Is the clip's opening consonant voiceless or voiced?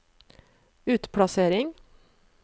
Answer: voiceless